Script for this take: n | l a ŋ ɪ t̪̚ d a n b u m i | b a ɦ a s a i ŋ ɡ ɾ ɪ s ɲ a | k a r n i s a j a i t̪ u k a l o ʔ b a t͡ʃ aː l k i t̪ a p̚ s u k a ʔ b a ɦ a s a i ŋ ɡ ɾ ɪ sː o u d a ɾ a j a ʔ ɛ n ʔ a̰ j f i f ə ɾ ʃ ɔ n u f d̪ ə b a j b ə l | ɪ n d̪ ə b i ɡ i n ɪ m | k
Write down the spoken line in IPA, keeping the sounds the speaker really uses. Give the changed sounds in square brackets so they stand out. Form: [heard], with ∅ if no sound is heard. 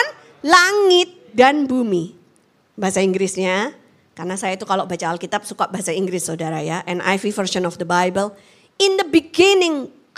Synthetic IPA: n | l a ŋ ɪ t̪̚ d a n b u m i | b a ɦ a s a i ŋ ɡ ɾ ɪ s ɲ a | k a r n [a] s a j a i t̪ u k a l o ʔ b a t͡ʃ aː l k i t̪ a p̚ s u k a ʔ b a ɦ a s a i ŋ ɡ ɾ ɪ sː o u d a ɾ a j a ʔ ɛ n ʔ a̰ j f i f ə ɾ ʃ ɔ n [ɔ] f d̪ ə b a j b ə l | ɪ n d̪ ə b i ɡ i n ɪ [ŋ] | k